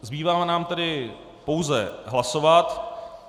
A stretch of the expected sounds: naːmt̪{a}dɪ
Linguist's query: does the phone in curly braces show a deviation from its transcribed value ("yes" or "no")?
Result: yes